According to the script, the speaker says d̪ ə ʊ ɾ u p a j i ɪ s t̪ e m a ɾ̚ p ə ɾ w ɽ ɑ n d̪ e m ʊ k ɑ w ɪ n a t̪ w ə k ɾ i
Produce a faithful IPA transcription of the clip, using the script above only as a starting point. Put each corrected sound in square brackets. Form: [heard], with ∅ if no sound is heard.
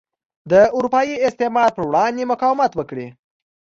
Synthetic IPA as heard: d̪ ə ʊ ɾ u p [ɑ] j i ɪ s t̪ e m [ɑ] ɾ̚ p ə ɾ w ɽ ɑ n d̪ e m ʊ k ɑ w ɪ [m] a t̪ w ə k [ɽ] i